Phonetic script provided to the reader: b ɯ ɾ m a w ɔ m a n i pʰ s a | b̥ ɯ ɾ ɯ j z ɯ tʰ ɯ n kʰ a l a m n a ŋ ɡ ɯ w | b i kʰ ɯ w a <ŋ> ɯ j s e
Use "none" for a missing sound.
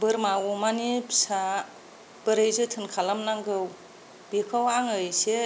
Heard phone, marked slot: ŋ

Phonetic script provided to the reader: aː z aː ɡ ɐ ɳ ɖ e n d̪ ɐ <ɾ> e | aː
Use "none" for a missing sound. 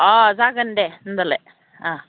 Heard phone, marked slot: l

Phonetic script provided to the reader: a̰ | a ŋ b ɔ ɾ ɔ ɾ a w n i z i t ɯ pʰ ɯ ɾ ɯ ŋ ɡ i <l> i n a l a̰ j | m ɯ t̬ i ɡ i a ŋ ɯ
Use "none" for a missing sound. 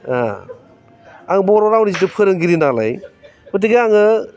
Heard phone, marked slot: ɾ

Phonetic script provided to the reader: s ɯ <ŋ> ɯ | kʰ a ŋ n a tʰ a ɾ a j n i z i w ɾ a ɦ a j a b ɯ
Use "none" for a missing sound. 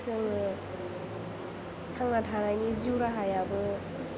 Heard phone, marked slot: ŋ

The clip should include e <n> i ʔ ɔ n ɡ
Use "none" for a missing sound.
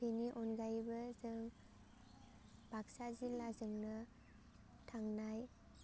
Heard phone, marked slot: n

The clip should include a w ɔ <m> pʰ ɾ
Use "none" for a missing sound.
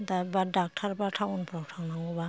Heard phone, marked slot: n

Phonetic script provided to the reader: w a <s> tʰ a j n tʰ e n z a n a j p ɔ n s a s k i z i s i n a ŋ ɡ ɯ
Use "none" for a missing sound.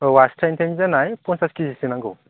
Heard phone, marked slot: s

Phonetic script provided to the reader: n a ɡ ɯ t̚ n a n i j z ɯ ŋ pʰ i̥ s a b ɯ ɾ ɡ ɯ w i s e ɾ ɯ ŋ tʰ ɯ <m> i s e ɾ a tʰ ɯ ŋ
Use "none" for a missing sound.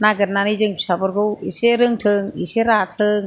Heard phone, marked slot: ŋ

